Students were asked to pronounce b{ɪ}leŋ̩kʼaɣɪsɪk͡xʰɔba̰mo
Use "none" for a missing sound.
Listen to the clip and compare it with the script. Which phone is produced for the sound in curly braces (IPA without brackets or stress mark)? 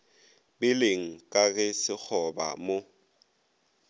ɪ